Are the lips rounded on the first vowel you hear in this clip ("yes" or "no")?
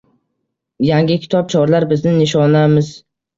no